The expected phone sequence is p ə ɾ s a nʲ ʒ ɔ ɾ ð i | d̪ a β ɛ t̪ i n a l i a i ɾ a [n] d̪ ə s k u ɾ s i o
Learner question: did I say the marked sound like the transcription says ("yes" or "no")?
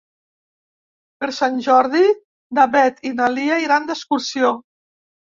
yes